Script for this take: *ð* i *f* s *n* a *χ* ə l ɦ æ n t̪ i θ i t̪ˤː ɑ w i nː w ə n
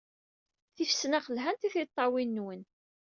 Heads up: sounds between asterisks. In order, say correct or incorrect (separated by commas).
incorrect, correct, correct, correct